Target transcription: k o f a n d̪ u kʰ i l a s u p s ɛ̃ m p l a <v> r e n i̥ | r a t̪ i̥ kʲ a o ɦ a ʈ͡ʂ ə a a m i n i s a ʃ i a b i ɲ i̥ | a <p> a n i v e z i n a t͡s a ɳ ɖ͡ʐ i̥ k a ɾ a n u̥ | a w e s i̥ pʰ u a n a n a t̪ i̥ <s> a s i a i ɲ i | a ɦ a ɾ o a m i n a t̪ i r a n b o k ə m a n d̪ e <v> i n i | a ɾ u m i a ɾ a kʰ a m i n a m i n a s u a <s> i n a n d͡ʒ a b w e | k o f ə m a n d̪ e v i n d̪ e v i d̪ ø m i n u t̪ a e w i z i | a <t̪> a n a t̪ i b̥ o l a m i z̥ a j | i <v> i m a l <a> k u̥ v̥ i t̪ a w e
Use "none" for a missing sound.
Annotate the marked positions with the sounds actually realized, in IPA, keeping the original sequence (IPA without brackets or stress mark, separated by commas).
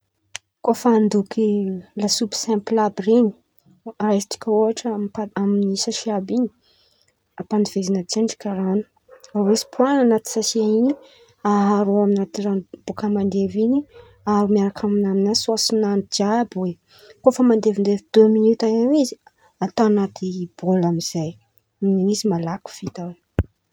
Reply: b, p, s, v, s, t̪, z, a